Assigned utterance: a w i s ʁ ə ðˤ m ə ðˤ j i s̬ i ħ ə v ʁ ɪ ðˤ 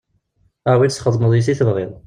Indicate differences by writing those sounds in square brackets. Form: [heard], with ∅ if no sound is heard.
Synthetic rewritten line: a w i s [χ] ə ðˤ m ə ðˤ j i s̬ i [θ] ə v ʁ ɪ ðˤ